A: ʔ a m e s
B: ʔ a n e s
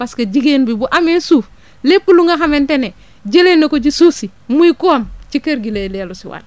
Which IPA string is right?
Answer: A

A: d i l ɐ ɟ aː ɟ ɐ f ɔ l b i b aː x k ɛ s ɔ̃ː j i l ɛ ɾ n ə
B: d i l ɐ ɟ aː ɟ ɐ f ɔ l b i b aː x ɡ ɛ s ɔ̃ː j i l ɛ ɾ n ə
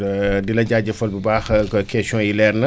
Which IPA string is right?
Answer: A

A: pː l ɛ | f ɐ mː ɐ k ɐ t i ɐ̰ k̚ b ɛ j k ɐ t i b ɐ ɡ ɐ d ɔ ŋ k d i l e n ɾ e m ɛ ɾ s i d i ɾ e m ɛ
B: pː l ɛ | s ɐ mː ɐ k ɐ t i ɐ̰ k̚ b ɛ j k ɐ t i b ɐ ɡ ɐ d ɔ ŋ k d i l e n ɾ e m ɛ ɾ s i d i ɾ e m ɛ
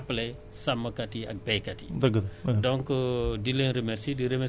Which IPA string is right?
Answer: B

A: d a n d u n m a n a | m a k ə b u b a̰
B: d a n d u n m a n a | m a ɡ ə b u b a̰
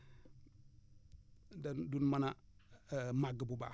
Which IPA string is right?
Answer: B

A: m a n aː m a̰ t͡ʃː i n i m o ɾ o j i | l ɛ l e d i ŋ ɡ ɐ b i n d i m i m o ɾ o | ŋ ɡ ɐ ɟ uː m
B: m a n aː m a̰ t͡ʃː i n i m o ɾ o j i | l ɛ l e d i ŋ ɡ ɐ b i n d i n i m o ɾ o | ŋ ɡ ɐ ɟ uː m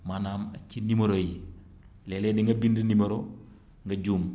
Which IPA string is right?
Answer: B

